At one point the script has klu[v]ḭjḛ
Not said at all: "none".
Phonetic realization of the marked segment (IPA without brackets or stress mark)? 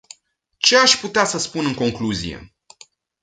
z